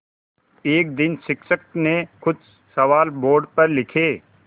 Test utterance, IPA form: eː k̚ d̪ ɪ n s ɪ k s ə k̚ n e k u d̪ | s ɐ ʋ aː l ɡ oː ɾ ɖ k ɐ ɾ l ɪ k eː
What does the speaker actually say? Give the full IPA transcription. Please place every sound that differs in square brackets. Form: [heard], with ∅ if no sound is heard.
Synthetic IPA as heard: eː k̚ d̪ ɪ n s ɪ k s ə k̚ n e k [ʊ] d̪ | s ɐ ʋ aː l [b] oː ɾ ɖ [p] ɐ ɾ l ɪ [kʰ] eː